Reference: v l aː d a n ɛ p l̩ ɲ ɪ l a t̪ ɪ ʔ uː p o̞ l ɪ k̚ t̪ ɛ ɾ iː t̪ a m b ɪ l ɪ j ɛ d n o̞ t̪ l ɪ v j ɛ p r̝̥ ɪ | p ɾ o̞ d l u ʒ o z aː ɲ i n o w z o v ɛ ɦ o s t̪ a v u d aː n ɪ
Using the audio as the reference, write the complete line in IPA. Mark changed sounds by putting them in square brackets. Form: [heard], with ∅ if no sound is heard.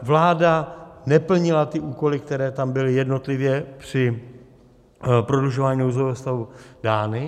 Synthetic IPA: v l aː d a n ɛ p l̩ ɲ ɪ l a t̪ ɪ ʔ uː [k] o̞ l ɪ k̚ t̪ ɛ ɾ [ɛː] t̪ a m b ɪ l ɪ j ɛ d n o̞ t̪ l ɪ v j ɛ p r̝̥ ɪ | p ɾ o̞ d l u ʒ o [v] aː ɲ i n o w z o v ɛ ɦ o s t̪ a v u d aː n ɪ